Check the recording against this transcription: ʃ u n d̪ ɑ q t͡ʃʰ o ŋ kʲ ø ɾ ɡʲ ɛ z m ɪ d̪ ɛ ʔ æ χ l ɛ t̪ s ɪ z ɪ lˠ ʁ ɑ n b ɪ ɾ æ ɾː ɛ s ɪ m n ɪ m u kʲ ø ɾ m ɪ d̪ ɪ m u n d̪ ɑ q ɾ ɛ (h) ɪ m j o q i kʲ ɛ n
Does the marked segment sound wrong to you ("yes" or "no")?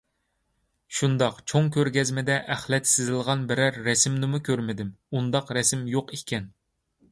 yes